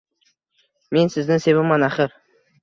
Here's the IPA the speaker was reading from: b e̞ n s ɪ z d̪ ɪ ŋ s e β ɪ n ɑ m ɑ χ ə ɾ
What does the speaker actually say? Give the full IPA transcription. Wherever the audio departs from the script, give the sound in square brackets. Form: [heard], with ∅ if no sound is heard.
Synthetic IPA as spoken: [m] e̞ n s ɪ z d̪ ɪ ŋ s e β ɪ [m] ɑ [n] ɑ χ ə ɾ